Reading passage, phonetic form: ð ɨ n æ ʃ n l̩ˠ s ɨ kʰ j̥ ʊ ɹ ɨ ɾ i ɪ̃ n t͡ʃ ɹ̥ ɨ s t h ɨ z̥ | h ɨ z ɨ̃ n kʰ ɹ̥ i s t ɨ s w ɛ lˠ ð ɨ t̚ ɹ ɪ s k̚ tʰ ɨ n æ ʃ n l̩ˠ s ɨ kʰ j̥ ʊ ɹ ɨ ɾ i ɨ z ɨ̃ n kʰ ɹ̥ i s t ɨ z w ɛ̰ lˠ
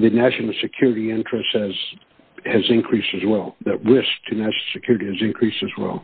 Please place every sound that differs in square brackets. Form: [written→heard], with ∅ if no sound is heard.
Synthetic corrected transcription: ð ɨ n æ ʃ n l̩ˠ s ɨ kʰ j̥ ʊ ɹ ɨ ɾ i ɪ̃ n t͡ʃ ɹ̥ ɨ s t h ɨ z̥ | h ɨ z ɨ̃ n kʰ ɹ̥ i s t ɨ [s→z] w ɛ lˠ ð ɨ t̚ ɹ ɪ s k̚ tʰ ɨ n æ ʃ n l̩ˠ s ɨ kʰ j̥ ʊ ɹ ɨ ɾ i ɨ z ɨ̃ n kʰ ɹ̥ i s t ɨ z w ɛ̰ lˠ

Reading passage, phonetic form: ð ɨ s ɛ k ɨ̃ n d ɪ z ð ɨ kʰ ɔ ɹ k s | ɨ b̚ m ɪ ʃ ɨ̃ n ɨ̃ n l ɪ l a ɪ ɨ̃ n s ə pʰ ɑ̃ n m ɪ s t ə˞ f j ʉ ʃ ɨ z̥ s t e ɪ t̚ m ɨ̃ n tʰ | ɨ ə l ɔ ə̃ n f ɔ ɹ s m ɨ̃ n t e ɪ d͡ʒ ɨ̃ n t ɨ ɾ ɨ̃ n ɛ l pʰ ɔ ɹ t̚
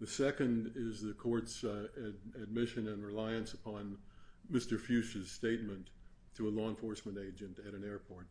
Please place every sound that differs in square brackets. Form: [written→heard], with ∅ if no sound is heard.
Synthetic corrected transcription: ð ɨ s ɛ k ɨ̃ n d ɪ z ð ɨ kʰ ɔ ɹ [k→t] s | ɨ [b̚→d̚] m ɪ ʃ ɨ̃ n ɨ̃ n [l→ɹ] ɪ l a ɪ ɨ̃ n s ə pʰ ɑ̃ n m ɪ s t ə˞ f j ʉ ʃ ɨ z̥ s t e ɪ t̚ m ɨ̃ n tʰ | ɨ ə l ɔ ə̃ n f ɔ ɹ s m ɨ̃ n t e ɪ d͡ʒ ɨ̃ n t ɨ ɾ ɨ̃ n ɛ [l→ɹ] pʰ ɔ ɹ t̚

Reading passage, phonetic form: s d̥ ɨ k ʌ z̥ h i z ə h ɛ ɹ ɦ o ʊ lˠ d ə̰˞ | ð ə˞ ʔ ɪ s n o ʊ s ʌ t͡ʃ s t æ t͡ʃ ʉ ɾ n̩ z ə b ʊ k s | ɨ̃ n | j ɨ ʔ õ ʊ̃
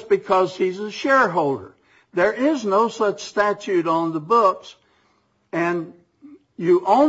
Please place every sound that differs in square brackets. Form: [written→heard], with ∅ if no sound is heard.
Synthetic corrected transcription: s [d̥→b̥] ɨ [k→kʰ] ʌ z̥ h i z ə [h→ʃ] ɛ ɹ ɦ o ʊ lˠ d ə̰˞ | ð ə˞ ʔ ɪ [s→z] n o ʊ s ʌ t͡ʃ s t æ t͡ʃ ʉ ɾ n̩ [z→ð] ə b ʊ k s | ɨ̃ n | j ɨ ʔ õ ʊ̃

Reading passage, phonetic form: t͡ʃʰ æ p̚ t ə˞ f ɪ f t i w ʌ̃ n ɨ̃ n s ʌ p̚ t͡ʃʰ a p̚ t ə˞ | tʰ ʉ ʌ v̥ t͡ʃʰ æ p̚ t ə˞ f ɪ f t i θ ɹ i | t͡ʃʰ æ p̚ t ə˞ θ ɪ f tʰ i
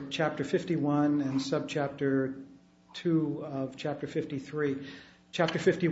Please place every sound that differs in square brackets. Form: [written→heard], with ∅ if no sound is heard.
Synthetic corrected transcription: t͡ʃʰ æ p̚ t ə˞ f ɪ f t i w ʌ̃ n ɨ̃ n s ʌ [p̚→b̚] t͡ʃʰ [a→æ] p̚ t ə˞ | tʰ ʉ ʌ v̥ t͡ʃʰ æ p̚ t ə˞ f ɪ f t i θ ɹ i | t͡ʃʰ æ p̚ t ə˞ [θ→f] ɪ f [tʰ→t] i

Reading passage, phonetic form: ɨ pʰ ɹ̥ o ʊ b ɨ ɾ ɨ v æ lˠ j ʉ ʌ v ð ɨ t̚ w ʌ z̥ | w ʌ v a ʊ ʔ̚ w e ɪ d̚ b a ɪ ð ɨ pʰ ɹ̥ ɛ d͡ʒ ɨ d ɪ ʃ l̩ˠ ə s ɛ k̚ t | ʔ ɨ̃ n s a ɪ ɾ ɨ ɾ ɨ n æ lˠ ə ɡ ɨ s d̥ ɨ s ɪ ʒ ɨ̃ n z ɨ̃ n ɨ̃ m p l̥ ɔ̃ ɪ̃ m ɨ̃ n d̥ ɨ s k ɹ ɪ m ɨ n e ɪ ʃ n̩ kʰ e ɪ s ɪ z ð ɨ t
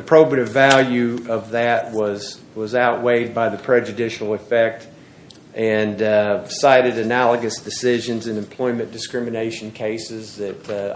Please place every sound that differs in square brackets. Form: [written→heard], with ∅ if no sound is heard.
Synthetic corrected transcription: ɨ pʰ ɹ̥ o ʊ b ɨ ɾ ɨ v æ lˠ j ʉ ʌ v ð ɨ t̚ w ʌ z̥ | w ʌ [v→z] a ʊ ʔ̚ w e ɪ d̚ b a ɪ ð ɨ pʰ ɹ̥ ɛ d͡ʒ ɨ d ɪ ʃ l̩ˠ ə [s→f] ɛ k̚ t | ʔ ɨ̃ n s a ɪ ɾ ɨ ɾ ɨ n æ lˠ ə ɡ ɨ s d̥ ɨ s ɪ ʒ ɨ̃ n z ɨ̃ n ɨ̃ m [p→pʰ] l̥ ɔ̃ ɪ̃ m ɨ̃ n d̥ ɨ s k ɹ ɪ m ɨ n e ɪ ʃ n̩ kʰ e ɪ s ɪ z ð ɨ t

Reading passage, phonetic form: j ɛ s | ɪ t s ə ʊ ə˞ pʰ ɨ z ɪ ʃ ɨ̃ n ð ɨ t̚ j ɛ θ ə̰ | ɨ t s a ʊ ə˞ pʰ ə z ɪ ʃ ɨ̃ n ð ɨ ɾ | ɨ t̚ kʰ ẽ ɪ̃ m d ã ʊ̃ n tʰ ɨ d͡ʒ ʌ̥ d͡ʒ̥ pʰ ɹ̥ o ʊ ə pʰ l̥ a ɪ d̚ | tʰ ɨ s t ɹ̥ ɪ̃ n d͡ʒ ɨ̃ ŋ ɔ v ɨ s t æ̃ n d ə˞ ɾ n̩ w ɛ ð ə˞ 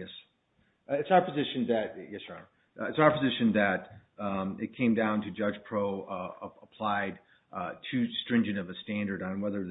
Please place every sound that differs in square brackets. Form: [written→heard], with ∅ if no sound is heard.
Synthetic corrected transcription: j ɛ s | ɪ t s [ə→a] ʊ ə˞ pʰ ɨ z ɪ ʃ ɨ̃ n ð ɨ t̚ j ɛ [θ→s] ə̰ | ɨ t s a ʊ ə˞ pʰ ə z ɪ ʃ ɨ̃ n ð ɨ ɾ | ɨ t̚ kʰ ẽ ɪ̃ m d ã ʊ̃ n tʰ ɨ d͡ʒ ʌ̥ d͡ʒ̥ pʰ ɹ̥ o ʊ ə pʰ l̥ a ɪ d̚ | tʰ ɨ s t ɹ̥ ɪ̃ n d͡ʒ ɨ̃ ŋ [ɔ→ʌ] v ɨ s t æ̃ n d ə˞ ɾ n̩ w ɛ ð ə˞

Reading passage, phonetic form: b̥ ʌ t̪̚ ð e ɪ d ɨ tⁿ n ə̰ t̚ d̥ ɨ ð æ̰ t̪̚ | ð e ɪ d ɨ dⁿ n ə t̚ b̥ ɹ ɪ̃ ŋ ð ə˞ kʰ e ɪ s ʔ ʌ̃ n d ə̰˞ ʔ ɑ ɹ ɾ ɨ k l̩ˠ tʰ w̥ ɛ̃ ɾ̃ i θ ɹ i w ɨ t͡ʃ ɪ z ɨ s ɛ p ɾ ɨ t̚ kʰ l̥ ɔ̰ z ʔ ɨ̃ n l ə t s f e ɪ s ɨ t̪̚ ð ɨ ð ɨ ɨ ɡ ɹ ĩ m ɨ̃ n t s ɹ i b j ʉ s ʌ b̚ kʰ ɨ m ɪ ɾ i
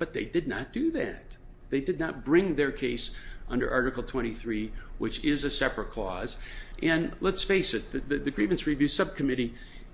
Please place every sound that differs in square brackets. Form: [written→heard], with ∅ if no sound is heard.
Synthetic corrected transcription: b̥ ʌ t̪̚ ð e ɪ d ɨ [tⁿ→dⁿ] n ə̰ t̚ d̥ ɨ ð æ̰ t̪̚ | ð e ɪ d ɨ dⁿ n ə t̚ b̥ ɹ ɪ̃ ŋ ð ə˞ kʰ e ɪ s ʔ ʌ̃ n d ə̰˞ ʔ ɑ ɹ ɾ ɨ k l̩ˠ tʰ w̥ ɛ̃ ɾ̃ i θ ɹ i w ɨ t͡ʃ ɪ z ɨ s ɛ p [ɾ→ɹ] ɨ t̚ kʰ l̥ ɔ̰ z ʔ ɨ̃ n l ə t s f e ɪ s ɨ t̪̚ ð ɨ ð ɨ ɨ ɡ ɹ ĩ m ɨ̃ n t s ɹ i [b→v] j ʉ s ʌ b̚ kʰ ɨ m ɪ ɾ i

